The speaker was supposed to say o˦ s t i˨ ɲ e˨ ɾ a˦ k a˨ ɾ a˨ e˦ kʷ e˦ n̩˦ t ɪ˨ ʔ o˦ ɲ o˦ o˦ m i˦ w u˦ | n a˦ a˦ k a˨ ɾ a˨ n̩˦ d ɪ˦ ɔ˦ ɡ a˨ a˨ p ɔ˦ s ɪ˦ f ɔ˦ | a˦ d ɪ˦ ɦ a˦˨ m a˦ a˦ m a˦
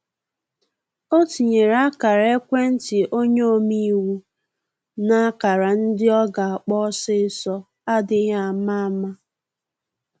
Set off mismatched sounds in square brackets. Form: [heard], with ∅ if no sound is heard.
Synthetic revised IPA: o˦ [∅] t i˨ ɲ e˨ ɾ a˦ k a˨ ɾ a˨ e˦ kʷ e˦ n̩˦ t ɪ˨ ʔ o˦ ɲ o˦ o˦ m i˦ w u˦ | n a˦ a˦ k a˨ ɾ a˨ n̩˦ d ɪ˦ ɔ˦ ɡ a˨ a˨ [k͡p] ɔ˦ s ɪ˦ [s] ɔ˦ | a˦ d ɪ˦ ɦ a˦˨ m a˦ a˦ m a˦